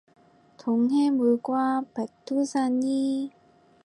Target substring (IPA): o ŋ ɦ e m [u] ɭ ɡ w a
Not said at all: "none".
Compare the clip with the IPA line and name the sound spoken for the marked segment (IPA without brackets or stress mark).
u